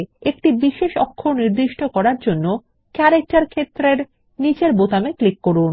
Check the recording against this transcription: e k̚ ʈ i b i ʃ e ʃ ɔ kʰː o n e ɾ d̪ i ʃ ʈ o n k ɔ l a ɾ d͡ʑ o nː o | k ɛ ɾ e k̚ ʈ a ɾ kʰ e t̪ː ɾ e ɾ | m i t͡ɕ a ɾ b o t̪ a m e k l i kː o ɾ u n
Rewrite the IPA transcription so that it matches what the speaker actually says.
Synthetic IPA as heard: e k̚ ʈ i b i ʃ e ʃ ɔ kʰː o n i ɾ d̪ i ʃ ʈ o k ɔ ɾ a ɾ d͡ʑ o nː o | k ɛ ɾ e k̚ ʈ a ɾ kʰ e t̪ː ɾ e ɾ | n i t͡ɕ e ɾ b o t̪ a m e k l i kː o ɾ u n